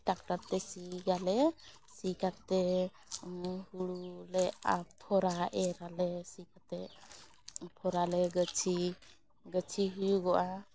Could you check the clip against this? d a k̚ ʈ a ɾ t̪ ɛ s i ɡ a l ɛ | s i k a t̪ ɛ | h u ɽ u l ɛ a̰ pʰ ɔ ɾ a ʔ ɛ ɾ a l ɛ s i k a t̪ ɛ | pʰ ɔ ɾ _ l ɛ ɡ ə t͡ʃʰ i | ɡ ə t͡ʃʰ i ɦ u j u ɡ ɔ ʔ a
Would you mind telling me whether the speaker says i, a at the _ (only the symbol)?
a